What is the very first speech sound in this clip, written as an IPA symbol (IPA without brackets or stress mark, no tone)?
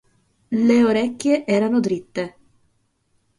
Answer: l